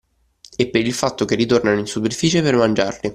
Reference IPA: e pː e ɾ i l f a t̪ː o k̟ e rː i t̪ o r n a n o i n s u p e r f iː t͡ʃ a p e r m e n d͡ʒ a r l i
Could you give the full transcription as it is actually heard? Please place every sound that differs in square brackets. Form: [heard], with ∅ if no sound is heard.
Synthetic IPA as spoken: e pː e ɾ i l f a t̪ː o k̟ e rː i t̪ o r n a n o i n s u p e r f iː t͡ʃ [e] p e r m [a] n d͡ʒ a r l i